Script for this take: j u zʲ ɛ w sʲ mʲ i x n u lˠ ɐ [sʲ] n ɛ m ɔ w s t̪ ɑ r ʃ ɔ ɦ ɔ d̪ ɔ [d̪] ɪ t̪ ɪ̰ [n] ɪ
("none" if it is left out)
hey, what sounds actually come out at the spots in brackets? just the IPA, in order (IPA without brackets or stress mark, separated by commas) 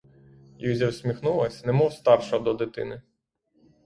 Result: sʲ, d̪, n